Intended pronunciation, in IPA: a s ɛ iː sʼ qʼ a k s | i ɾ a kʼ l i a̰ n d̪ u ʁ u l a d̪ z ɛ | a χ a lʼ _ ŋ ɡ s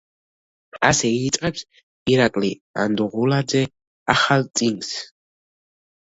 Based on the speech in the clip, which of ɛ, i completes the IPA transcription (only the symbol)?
i